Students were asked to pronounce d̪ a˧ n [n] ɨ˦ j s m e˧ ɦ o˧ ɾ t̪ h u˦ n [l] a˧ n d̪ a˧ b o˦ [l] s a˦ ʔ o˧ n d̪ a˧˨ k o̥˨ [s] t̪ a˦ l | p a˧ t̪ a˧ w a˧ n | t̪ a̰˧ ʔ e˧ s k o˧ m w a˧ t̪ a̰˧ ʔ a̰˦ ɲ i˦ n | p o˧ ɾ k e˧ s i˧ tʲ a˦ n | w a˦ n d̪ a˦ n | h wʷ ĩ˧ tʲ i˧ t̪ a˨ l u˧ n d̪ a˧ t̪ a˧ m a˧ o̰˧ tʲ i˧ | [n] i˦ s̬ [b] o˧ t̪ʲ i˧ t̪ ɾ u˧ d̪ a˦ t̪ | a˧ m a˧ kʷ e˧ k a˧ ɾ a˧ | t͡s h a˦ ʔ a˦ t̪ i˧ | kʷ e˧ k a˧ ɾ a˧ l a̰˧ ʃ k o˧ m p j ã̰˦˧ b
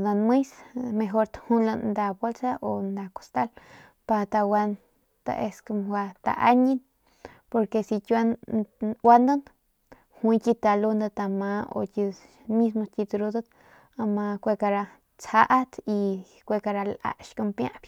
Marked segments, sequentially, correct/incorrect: incorrect: m, correct, correct, correct, incorrect: m, incorrect: m

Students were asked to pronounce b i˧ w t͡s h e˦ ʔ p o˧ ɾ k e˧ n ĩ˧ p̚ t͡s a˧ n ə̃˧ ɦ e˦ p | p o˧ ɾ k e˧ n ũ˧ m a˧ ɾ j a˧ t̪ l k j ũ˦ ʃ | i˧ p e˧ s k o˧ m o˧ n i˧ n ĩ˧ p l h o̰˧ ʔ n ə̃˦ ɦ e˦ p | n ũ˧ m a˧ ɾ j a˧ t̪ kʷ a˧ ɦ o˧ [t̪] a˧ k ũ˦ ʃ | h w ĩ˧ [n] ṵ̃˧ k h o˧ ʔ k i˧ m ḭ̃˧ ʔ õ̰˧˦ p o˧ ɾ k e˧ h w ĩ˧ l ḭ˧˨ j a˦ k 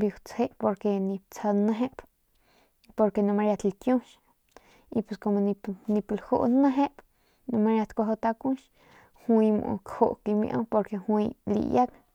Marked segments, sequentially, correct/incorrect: correct, incorrect: m

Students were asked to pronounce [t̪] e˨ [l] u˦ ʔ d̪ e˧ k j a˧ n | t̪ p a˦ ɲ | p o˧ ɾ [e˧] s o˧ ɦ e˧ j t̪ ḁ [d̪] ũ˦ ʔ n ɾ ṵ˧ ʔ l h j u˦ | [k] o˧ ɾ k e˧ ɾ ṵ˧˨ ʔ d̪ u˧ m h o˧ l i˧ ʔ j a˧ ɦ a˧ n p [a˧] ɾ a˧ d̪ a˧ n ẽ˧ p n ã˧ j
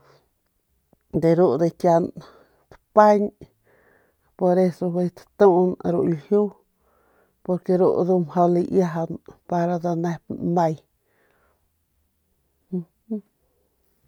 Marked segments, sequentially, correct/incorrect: incorrect: d̪, incorrect: ɾ, correct, incorrect: t̪, incorrect: p, correct

